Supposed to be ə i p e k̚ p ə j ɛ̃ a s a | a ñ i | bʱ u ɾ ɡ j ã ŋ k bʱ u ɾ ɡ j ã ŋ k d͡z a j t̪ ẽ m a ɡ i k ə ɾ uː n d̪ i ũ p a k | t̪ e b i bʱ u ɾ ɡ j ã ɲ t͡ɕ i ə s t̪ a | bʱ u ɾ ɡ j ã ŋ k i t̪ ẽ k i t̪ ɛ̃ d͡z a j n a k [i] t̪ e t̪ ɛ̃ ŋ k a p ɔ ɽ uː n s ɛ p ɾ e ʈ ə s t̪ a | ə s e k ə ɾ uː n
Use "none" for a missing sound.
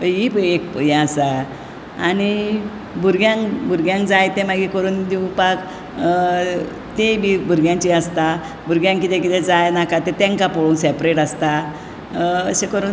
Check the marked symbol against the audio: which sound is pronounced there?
a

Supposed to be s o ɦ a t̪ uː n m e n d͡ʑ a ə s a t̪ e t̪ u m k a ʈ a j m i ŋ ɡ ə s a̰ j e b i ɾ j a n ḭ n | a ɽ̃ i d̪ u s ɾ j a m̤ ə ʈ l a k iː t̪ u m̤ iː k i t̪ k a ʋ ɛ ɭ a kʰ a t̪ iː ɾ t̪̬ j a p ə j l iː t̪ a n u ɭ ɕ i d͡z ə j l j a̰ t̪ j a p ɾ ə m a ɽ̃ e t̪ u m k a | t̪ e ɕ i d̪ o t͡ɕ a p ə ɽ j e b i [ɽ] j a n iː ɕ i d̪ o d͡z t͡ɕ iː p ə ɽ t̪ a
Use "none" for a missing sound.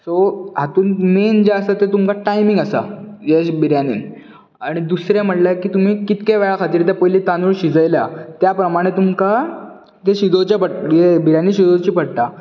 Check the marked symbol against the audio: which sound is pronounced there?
ɾ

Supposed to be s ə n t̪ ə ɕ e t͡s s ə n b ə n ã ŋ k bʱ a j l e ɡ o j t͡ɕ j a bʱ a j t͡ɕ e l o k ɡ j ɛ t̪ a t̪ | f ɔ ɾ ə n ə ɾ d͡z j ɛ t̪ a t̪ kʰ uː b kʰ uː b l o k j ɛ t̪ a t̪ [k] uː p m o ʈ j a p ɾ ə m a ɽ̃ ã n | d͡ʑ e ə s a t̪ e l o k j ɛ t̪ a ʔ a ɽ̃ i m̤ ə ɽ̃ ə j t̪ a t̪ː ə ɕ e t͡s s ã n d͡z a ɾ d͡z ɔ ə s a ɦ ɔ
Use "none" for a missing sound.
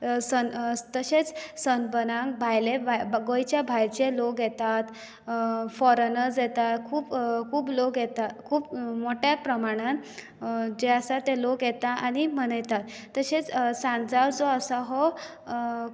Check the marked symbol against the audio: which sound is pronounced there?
kʰ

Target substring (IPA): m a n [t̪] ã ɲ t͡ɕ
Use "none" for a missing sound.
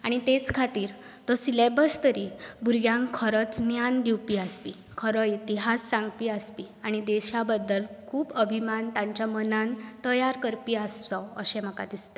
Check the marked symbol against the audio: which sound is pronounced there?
t̪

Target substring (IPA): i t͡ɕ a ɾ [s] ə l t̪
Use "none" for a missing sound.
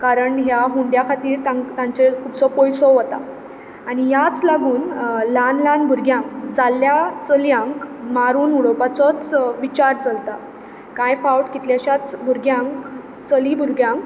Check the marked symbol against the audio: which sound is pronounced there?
t͡s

